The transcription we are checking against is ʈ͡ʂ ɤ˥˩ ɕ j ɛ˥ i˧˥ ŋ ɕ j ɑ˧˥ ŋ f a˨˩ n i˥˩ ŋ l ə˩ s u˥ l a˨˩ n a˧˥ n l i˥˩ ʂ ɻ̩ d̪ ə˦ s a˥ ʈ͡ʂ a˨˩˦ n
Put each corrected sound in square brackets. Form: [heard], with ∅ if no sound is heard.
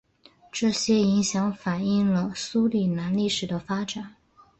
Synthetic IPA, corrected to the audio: ʈ͡ʂ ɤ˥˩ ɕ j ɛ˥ i˧˥ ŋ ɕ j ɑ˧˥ ŋ f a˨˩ n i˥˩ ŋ l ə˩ s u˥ l [i˨˩] n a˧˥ n l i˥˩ ʂ ɻ̩ d̪ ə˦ [f] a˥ ʈ͡ʂ a˨˩˦ n